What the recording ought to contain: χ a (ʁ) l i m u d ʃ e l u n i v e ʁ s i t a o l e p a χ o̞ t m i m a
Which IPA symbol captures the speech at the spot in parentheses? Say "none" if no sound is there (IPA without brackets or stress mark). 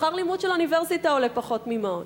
ʁ